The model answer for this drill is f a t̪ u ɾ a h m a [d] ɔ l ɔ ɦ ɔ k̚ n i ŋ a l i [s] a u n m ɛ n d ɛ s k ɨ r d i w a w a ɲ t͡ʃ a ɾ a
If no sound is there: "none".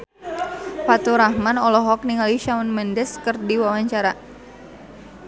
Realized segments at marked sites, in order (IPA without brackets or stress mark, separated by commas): n, ʃ